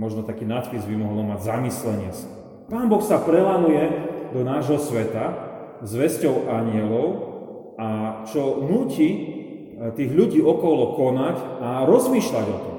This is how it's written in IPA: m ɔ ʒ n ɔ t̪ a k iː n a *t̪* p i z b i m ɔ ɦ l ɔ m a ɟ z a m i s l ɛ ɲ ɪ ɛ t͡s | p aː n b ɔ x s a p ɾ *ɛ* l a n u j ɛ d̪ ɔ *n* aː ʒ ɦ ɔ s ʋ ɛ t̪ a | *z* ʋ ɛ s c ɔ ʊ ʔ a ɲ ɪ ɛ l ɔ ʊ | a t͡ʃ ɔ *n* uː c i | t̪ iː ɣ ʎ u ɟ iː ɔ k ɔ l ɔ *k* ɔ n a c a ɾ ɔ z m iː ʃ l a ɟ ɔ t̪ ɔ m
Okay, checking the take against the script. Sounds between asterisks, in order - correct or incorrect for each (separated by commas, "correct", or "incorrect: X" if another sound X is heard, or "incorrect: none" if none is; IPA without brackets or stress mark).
correct, correct, correct, correct, correct, correct